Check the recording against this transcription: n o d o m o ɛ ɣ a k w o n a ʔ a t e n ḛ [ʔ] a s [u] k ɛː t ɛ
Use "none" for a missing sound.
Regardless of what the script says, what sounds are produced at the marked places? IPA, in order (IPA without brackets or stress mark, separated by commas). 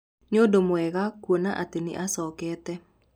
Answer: ʔ, ɔ